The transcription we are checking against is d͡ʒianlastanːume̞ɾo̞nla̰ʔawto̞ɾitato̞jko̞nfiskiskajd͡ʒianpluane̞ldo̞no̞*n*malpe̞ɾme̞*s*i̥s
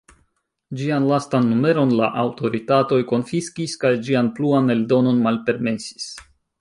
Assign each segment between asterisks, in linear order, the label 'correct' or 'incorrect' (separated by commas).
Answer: correct, correct